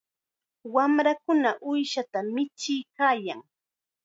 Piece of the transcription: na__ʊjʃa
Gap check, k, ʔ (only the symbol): ʔ